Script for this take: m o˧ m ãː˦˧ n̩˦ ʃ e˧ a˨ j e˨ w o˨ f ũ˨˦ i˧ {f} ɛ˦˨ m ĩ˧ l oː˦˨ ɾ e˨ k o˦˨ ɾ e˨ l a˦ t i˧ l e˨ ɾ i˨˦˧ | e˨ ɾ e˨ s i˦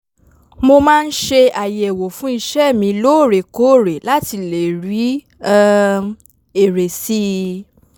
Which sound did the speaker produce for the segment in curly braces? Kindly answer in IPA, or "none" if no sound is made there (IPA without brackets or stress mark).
ʃ